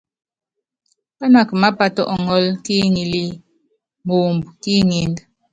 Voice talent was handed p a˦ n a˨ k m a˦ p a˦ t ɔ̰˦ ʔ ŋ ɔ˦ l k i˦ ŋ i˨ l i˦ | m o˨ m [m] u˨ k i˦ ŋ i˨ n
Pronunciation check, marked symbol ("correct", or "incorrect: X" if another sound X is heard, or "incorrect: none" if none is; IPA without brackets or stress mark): incorrect: b